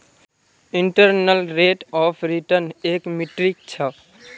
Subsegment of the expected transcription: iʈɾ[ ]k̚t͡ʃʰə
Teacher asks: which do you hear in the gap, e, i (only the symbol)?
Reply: i